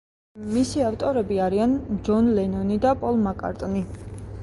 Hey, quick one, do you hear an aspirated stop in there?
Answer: no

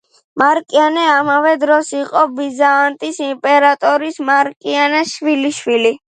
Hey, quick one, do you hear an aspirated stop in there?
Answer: no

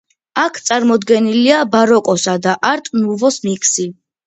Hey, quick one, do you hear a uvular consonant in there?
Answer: no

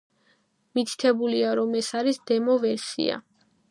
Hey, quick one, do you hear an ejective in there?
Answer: no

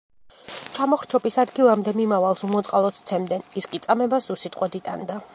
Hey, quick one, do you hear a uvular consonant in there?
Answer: yes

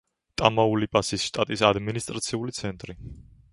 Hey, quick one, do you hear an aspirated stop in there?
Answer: no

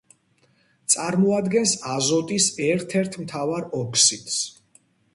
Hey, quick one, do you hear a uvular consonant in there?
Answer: no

